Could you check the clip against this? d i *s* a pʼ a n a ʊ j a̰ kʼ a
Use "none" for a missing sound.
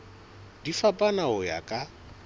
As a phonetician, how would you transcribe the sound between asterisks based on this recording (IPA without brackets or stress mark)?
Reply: f